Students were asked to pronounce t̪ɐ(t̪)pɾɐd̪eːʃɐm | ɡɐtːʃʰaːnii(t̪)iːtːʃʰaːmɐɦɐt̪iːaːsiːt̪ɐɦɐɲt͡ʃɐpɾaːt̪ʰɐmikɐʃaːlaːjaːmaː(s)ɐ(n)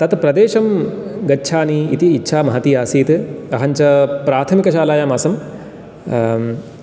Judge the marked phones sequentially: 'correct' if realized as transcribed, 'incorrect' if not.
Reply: correct, correct, correct, incorrect

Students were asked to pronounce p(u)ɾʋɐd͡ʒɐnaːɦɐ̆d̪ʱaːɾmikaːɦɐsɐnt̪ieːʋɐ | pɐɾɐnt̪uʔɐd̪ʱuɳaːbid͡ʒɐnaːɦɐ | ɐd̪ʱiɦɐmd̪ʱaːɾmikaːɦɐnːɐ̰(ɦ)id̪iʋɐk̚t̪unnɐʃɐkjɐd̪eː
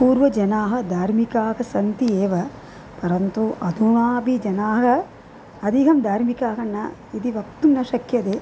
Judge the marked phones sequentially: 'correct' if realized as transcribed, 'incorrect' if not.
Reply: incorrect, incorrect

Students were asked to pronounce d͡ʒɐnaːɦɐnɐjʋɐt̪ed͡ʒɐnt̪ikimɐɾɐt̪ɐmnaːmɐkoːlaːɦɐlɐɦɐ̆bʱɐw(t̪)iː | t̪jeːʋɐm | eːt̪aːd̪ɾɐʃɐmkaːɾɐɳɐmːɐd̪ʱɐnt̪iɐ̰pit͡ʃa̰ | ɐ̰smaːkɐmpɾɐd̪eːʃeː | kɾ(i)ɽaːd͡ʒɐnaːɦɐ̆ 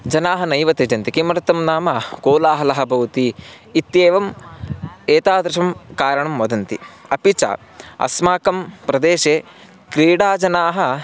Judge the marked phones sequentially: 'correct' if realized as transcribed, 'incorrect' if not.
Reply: correct, incorrect

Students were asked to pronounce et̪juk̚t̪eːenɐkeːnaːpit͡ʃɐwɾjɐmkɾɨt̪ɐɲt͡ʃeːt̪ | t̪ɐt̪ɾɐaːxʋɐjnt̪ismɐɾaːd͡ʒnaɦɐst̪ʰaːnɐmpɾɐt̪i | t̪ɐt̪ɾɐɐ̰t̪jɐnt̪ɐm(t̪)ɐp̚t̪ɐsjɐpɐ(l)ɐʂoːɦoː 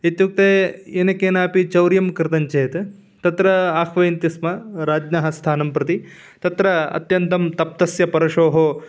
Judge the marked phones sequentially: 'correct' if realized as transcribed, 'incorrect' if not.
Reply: correct, incorrect

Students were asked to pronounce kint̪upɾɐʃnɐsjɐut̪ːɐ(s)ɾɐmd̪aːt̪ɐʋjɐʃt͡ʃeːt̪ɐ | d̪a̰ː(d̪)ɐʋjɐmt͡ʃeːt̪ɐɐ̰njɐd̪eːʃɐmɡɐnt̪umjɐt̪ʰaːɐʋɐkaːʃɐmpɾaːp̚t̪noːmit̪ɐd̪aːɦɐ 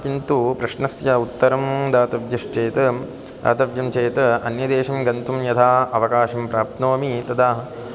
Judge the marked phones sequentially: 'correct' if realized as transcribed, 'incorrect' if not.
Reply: incorrect, incorrect

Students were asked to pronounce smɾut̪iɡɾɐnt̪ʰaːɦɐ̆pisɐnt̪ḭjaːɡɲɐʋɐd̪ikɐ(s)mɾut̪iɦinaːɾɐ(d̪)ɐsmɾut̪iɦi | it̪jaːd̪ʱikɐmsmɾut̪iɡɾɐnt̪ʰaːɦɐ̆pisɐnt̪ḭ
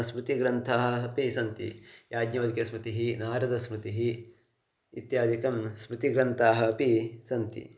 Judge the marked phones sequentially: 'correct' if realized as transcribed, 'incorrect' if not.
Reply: correct, correct

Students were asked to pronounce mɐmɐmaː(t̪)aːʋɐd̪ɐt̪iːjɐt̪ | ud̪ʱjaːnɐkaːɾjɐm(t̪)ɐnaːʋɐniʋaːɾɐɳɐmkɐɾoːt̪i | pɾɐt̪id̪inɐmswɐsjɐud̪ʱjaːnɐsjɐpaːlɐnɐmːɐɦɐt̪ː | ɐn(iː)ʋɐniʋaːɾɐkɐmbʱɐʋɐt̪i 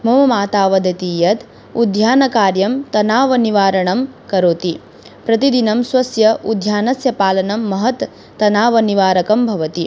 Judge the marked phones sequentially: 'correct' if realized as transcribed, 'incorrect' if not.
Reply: correct, correct, incorrect

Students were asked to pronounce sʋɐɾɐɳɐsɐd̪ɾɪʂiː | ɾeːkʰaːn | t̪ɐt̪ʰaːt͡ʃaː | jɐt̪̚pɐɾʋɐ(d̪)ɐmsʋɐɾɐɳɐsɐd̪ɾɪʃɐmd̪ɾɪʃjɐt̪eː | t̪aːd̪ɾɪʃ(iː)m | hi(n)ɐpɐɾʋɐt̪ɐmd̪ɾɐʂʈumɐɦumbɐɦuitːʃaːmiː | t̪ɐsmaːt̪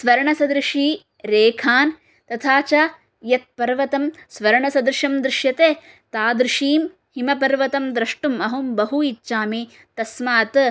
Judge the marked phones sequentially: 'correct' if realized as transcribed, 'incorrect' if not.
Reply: incorrect, correct, incorrect

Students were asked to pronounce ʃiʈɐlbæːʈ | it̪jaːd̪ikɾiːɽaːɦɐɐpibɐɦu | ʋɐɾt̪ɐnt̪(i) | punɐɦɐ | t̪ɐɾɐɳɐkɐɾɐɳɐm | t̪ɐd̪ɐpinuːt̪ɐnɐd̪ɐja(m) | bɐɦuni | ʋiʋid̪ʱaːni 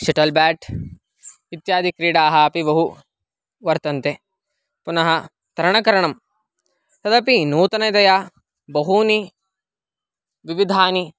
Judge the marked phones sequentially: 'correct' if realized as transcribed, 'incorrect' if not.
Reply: incorrect, incorrect

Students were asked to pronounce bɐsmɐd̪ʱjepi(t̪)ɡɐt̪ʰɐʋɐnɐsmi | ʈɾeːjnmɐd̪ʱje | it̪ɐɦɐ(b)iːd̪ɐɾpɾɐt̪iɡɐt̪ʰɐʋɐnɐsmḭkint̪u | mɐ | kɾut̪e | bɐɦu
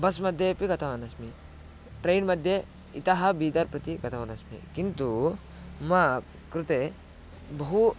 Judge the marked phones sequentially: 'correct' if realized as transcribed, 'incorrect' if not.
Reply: incorrect, correct

